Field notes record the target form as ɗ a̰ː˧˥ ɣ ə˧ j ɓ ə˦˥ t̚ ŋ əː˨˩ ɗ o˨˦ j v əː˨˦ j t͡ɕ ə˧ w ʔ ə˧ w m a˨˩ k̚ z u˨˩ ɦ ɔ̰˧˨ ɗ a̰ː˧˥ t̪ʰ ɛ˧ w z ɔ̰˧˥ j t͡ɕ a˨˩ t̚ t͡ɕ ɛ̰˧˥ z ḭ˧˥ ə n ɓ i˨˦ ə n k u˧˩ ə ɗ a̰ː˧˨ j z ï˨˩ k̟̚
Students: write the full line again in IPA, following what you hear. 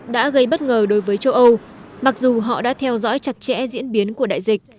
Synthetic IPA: ɗ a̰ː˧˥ ɣ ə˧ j ɓ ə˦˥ t̚ ŋ əː˨˩ ɗ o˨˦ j v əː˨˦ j t͡ɕ ə˧ w ʔ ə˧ w m a˨˩ k̚ z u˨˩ ɦ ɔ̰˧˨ ɗ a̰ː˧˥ t̪ʰ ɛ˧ w z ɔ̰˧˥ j t͡ɕ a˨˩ t̚ t͡ɕ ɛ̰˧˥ z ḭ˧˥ ə n ɓ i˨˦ ə n k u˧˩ ə ɗ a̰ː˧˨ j z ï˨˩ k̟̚

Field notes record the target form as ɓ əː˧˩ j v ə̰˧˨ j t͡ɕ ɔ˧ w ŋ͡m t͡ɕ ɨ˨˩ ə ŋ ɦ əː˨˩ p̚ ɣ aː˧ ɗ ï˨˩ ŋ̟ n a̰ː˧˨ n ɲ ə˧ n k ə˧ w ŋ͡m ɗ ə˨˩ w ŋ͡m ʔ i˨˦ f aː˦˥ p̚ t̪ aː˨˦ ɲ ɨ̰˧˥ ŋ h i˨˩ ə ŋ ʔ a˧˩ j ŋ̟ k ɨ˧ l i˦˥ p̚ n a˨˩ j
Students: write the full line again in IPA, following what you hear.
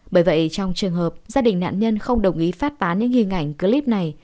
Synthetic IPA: ɓ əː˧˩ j v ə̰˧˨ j t͡ɕ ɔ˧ w ŋ͡m t͡ɕ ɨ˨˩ ə ŋ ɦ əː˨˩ p̚ z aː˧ ɗ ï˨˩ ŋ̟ n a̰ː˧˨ n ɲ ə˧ n x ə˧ w ŋ͡m ɗ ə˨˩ w ŋ͡m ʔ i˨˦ f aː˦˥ t̚ t̪ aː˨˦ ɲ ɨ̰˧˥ ŋ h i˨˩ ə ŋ ʔ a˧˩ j ŋ̟ k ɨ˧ l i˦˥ p̚ n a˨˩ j

